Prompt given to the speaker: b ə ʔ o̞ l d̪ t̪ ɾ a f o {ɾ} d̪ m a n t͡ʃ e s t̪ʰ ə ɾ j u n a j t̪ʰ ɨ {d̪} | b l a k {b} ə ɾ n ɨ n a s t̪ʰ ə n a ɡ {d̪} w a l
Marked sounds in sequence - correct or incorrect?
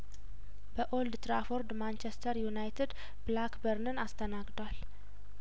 correct, correct, correct, correct

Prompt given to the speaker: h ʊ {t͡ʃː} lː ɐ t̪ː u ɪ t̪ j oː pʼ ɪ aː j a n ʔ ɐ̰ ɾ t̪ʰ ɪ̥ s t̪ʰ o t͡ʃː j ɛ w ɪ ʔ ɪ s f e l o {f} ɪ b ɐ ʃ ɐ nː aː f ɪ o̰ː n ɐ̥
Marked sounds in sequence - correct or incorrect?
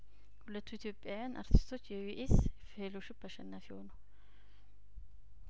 incorrect, incorrect

